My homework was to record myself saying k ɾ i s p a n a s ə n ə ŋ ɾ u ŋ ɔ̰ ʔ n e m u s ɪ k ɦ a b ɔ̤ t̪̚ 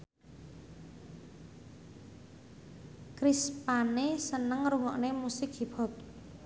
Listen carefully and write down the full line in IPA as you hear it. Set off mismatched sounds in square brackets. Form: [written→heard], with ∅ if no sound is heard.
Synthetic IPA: k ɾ i s p a n [a→e] s ə n ə ŋ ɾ u ŋ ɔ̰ ʔ n e m u s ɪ k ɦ [a→i] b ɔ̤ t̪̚